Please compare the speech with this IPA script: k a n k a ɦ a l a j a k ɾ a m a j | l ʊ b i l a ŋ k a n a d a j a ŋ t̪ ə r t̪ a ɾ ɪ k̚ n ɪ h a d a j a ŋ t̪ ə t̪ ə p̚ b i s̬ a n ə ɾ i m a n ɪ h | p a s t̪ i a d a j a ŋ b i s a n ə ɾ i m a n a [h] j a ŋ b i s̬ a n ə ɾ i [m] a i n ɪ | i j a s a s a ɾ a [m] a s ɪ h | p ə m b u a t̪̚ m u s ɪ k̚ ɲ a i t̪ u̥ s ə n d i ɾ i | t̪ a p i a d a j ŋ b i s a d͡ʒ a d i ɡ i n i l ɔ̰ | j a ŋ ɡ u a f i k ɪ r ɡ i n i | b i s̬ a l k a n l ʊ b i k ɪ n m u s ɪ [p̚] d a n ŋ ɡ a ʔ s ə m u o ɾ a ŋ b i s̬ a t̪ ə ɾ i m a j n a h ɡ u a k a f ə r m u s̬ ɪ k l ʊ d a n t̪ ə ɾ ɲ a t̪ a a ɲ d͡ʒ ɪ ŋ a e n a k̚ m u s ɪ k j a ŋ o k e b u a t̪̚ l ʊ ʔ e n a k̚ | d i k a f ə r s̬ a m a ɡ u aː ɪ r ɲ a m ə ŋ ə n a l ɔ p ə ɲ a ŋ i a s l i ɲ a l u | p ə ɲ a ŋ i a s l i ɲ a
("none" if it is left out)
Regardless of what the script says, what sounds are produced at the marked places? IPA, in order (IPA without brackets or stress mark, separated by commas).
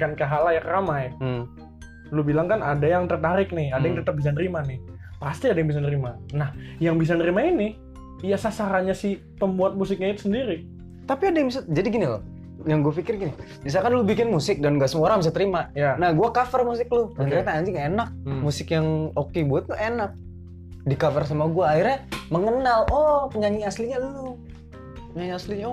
h, m, ɲ, k̚